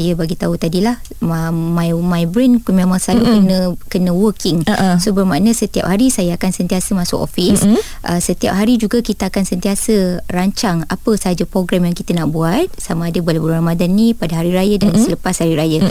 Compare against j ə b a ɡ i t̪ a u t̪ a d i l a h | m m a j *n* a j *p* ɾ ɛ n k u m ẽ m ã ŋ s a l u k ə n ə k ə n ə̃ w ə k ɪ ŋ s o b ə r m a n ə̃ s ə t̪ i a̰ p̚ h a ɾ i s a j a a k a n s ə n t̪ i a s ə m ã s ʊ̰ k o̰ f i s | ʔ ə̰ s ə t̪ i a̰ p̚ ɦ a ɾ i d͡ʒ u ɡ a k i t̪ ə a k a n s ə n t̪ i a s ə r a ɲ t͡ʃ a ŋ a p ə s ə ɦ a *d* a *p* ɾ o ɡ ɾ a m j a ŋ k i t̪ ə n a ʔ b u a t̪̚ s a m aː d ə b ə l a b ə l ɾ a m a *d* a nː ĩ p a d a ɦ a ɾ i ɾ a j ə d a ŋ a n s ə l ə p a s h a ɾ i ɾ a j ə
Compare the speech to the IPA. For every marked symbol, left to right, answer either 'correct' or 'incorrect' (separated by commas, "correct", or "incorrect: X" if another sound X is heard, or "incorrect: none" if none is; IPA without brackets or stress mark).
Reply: incorrect: m, incorrect: b, incorrect: d͡ʒ, correct, correct